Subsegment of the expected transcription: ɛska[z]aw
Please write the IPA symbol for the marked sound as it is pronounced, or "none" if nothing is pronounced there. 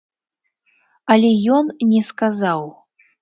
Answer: z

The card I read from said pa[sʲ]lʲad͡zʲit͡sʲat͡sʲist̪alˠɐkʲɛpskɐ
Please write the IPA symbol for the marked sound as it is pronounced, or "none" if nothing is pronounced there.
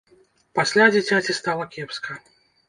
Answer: sʲ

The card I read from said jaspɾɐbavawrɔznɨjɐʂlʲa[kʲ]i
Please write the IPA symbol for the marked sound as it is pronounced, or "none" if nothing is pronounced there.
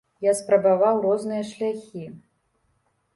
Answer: xʲ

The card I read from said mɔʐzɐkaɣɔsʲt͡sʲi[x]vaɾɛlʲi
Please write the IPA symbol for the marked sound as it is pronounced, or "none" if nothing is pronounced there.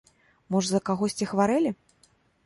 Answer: x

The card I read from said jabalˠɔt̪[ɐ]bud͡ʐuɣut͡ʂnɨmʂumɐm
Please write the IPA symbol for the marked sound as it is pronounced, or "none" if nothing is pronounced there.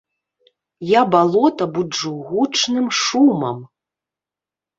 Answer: ɐ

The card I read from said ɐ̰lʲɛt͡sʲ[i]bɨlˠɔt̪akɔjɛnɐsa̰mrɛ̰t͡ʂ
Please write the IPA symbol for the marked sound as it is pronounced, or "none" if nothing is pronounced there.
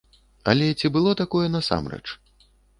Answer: i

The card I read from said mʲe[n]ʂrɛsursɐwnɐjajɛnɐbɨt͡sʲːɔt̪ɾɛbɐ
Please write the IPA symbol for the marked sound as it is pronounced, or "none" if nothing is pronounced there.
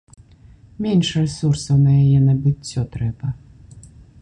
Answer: n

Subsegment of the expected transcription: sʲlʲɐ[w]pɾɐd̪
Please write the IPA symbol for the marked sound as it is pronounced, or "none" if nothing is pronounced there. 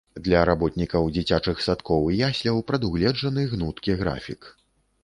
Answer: w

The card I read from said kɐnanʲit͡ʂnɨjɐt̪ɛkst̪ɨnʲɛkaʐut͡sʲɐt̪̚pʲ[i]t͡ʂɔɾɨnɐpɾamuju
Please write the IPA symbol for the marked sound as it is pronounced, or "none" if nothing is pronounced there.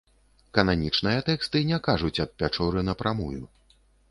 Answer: a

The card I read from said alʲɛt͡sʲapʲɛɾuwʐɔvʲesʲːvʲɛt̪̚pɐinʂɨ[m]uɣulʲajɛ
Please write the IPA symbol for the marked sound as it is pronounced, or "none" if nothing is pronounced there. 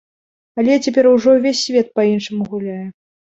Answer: m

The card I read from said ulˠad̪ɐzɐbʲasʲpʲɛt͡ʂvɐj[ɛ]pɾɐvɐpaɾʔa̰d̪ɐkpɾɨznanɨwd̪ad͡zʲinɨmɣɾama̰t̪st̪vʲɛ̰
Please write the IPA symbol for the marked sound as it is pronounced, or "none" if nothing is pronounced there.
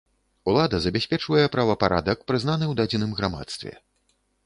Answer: ɛ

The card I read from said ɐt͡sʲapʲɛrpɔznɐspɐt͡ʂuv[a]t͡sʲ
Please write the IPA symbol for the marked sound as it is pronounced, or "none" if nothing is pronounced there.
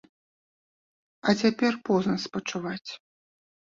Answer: a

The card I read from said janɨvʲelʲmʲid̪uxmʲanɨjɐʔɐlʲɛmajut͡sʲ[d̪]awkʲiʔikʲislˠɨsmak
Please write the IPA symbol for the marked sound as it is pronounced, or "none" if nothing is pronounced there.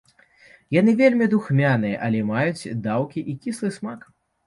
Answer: d̪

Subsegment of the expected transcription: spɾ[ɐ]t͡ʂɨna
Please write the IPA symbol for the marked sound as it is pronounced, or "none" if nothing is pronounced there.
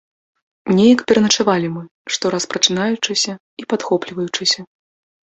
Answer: ɐ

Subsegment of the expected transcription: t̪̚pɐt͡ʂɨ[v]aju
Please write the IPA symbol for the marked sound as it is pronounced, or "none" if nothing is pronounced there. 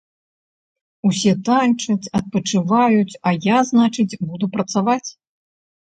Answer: v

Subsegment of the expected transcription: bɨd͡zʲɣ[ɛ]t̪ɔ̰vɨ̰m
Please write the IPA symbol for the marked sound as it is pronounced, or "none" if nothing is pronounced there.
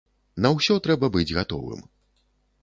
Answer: a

